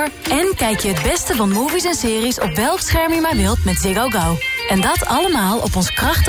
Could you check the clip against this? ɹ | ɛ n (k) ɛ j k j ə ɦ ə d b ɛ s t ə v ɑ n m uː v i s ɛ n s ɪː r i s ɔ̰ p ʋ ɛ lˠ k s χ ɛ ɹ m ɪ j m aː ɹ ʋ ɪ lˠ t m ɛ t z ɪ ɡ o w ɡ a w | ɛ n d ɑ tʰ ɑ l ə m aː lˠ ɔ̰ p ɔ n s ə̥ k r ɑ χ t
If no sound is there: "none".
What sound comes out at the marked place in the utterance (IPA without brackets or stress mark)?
k